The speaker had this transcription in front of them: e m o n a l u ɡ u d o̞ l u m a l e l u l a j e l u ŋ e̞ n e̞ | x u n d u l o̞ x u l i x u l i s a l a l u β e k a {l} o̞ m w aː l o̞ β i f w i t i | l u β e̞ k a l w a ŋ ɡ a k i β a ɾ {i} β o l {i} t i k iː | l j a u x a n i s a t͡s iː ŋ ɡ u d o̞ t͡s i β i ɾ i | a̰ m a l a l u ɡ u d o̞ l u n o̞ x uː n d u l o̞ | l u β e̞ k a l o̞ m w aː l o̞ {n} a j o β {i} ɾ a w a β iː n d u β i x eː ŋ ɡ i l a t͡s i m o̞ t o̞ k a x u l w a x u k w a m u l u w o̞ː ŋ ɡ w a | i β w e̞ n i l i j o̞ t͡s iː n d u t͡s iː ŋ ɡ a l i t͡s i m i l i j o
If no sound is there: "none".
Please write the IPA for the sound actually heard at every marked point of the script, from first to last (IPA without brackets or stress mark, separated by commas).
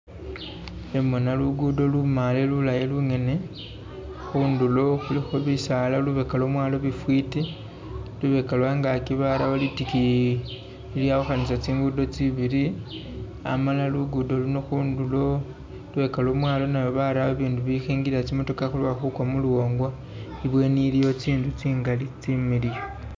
l, a, i, n, a